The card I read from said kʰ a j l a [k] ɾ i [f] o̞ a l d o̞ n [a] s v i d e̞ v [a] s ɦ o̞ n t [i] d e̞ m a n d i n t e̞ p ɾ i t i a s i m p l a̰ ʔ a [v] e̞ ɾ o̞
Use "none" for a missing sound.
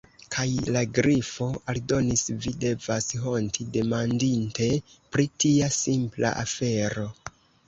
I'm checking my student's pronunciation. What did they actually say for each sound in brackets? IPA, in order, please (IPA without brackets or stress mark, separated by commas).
ɡ, f, i, a, i, f